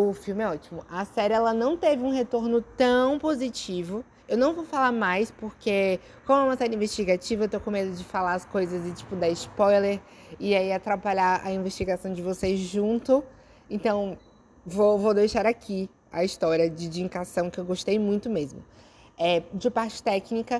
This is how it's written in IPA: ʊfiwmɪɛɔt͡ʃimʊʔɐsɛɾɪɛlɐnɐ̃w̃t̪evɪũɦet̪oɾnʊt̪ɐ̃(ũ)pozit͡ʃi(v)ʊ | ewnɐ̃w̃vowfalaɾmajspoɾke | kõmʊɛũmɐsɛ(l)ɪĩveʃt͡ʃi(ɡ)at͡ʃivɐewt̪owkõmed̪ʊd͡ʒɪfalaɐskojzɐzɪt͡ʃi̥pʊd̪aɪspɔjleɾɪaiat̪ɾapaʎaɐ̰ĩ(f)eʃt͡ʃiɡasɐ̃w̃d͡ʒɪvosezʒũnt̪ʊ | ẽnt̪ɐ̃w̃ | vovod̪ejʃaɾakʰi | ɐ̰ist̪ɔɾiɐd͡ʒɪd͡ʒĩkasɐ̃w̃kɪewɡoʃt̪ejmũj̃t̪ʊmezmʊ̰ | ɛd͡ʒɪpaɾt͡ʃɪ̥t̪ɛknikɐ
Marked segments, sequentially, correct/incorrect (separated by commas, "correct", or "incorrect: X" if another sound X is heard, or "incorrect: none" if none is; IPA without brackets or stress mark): incorrect: w̃, correct, incorrect: ɾ, correct, incorrect: v